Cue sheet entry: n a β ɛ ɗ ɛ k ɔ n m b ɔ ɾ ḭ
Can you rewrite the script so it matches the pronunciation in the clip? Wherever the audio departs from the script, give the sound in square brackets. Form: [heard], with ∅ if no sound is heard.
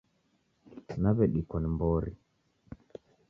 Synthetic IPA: n a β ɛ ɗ [i] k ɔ n m b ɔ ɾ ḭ